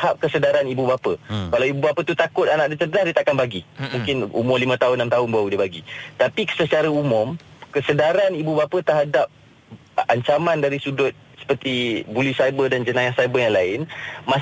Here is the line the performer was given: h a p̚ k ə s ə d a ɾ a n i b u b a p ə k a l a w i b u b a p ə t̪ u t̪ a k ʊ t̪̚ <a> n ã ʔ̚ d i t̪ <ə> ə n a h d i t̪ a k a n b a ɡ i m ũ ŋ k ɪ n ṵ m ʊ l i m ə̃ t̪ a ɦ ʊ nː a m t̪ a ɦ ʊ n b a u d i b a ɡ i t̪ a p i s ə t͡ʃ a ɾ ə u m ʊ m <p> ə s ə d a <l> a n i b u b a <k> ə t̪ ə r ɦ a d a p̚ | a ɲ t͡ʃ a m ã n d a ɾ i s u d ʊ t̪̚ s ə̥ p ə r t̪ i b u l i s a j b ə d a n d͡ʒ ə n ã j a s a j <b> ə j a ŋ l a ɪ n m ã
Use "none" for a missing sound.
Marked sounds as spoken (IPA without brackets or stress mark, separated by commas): a, ə, k, ɾ, p, b